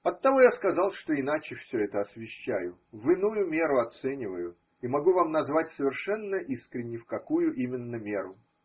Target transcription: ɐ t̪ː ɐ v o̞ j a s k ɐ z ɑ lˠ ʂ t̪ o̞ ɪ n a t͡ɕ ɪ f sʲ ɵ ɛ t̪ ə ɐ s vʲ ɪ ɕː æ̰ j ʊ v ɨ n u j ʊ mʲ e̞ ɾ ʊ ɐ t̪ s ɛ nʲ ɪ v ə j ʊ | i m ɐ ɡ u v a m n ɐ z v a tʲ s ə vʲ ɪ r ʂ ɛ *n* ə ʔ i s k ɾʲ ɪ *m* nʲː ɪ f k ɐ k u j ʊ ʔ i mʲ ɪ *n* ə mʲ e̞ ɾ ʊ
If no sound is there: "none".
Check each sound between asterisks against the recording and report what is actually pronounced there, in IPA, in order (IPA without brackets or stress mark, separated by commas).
nː, none, nː